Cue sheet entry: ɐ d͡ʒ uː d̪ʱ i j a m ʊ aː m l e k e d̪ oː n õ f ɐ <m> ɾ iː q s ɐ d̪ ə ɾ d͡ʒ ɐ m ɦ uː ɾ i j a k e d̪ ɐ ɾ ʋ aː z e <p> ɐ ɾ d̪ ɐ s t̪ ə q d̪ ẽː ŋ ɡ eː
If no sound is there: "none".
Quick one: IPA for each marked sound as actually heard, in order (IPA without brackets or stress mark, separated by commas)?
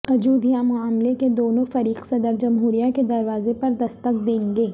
none, p